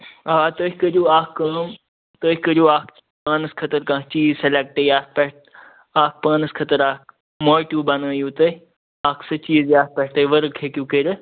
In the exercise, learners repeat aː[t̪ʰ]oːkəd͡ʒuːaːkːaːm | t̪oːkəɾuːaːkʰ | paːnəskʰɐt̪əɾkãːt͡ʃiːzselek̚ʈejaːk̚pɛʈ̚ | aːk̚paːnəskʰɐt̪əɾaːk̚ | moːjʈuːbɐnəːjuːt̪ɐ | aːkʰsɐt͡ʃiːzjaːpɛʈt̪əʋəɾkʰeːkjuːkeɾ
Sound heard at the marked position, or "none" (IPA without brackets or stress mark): t̪